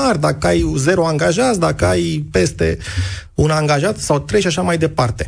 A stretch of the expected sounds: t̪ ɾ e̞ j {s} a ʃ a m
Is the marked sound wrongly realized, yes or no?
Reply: yes